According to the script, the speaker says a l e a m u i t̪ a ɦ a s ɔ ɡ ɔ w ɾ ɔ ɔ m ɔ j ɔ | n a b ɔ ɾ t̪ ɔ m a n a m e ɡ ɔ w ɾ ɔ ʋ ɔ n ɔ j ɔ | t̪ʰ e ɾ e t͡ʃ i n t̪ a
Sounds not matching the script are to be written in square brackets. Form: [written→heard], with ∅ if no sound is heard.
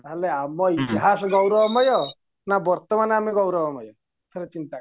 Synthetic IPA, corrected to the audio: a l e a m [u→ɔ] i t̪ [a→i] ɦ a s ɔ ɡ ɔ w ɾ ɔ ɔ m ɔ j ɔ | n a b ɔ ɾ t̪ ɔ m a n a m e ɡ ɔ w ɾ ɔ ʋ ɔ [n→m] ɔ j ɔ | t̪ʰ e ɾ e t͡ʃ i n t̪ a